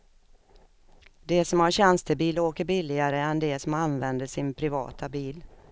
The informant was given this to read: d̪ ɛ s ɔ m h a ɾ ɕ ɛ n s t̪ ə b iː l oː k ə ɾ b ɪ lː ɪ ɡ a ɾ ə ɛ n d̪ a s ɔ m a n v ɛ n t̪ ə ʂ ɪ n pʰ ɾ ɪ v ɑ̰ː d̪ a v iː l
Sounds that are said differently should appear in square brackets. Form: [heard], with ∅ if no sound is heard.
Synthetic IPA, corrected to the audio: d̪ ɛ s ɔ m h a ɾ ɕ ɛ n s t̪ ə b iː l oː k ə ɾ b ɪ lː ɪ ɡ a ɾ ə ɛ n d̪ [ɛ] s ɔ m a n v ɛ n [d̪] ə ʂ ɪ n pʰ ɾ ɪ v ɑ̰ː [t̪] a [b] iː l